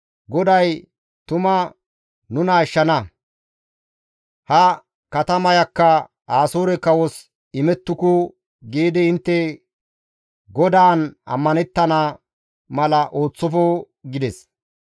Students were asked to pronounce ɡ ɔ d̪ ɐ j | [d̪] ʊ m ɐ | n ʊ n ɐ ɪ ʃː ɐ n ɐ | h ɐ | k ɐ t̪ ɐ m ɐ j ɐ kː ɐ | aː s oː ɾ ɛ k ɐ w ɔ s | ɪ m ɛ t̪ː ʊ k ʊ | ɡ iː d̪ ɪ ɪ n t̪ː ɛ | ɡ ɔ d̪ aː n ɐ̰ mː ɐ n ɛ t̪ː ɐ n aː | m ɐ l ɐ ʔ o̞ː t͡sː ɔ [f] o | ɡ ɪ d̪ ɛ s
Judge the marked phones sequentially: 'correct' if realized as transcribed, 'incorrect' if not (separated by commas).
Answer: incorrect, correct